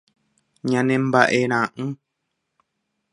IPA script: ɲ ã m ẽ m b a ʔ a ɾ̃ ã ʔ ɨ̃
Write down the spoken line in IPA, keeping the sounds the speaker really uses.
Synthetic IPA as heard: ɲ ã n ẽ m b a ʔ e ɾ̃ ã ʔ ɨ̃